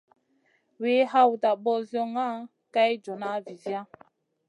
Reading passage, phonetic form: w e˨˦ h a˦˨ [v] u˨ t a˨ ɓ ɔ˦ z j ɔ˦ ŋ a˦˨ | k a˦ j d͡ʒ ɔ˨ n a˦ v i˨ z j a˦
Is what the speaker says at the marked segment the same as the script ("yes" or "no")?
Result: no